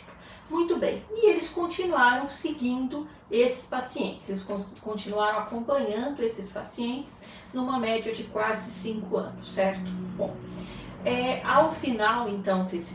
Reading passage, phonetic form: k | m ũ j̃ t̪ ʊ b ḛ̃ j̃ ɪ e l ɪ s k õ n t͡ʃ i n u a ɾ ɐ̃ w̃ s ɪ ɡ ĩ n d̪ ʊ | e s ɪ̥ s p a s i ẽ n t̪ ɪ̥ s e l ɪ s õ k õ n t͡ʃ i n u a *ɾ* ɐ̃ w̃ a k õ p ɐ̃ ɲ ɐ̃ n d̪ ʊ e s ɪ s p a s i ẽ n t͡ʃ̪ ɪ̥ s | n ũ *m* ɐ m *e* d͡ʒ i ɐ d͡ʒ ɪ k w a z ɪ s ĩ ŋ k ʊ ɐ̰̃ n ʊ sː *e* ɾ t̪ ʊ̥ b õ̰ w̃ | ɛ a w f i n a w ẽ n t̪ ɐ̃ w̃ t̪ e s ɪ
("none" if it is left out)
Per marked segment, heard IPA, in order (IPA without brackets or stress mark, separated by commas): ɾ, m, ɛ, ɛ